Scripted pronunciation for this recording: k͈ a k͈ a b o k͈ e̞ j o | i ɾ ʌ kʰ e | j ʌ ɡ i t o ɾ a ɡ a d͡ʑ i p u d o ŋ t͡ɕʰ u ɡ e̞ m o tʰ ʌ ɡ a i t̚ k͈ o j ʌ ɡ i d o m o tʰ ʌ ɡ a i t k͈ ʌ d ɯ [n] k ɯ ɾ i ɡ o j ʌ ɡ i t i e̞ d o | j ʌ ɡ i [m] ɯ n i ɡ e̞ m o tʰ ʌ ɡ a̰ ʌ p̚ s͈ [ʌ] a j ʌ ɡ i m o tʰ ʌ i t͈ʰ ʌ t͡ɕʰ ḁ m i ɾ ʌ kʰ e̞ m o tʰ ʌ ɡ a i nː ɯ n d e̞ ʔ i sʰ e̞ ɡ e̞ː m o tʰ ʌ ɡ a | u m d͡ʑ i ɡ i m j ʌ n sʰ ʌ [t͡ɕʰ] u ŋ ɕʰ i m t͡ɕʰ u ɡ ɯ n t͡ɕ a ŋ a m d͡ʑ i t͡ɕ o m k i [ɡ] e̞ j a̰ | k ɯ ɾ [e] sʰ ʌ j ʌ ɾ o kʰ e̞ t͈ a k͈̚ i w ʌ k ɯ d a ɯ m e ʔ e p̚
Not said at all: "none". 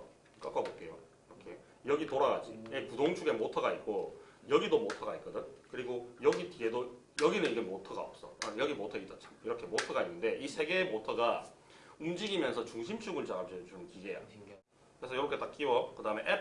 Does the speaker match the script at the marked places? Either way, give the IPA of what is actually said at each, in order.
n, n, ʌ, t͡ɕ, ɡ, e

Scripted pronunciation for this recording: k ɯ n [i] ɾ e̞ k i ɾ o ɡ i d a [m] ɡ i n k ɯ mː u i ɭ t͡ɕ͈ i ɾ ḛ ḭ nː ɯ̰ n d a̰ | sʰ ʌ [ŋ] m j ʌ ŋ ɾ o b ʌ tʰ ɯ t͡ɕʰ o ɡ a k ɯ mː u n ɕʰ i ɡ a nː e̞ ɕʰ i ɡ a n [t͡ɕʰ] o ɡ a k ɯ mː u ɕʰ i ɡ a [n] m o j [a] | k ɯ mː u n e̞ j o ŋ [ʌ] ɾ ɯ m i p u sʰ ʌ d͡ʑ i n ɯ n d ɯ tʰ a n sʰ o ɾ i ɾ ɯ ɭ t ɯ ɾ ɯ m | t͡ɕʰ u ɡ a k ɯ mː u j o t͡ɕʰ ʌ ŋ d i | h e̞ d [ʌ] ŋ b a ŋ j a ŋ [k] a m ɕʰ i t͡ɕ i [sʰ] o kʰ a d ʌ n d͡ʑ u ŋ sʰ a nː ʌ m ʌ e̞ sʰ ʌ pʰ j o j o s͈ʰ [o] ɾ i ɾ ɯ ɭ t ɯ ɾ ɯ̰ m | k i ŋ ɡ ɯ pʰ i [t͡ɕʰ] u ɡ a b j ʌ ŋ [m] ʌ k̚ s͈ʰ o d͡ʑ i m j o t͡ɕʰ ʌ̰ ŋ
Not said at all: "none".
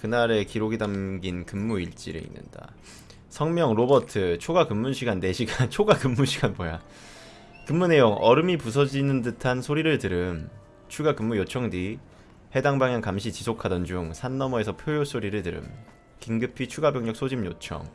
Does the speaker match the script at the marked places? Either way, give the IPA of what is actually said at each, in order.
a, m, ŋ, t͡ɕʰ, n, a, ʌ, a, k, sʰ, o, t͡ɕʰ, ɲ

